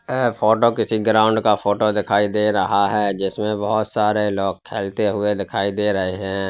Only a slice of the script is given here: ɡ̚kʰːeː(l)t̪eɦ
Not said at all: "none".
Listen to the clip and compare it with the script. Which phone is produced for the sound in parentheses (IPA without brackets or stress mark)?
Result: l